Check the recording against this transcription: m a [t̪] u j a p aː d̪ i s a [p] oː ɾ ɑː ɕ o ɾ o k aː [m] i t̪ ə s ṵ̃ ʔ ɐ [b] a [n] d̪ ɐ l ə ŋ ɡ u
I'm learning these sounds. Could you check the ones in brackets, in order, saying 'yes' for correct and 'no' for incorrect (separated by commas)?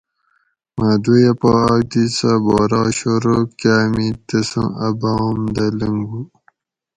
no, no, yes, yes, no